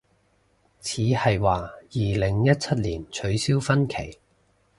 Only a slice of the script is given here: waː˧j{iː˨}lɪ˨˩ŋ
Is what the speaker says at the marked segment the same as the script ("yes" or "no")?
yes